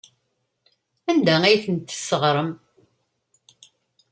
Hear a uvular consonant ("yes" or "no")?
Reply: yes